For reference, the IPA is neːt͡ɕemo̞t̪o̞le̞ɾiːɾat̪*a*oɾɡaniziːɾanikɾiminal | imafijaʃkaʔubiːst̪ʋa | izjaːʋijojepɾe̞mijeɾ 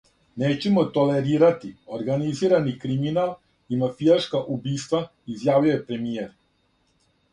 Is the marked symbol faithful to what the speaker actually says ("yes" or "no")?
no